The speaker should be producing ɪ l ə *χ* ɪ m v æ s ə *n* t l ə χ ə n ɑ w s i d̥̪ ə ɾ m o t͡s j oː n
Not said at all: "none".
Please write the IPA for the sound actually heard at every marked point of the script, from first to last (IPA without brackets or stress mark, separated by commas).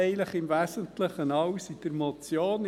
χ, n